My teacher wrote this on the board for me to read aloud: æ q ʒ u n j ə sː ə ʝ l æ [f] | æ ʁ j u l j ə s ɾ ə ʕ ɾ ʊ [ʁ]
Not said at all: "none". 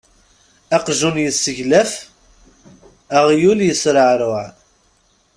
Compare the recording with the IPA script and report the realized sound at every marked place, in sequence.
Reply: f, ʕ

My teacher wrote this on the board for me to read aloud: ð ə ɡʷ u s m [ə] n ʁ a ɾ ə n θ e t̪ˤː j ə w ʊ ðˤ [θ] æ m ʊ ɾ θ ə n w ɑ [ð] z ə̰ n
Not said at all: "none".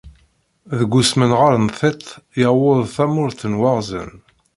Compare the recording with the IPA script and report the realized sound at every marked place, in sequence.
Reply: ə, θ, ʁ

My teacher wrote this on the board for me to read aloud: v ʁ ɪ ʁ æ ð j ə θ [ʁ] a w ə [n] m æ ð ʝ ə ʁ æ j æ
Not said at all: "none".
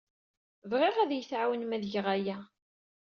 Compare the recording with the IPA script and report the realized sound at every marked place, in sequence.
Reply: ʕ, n

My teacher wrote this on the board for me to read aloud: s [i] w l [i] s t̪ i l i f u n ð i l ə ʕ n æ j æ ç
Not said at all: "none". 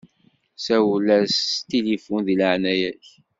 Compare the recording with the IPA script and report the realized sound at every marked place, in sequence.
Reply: æ, æ

